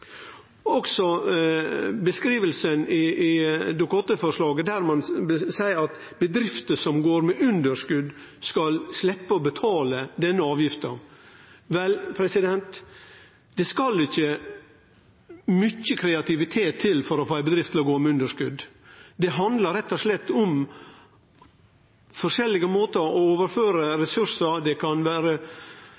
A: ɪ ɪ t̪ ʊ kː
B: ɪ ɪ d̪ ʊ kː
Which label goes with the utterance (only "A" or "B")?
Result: B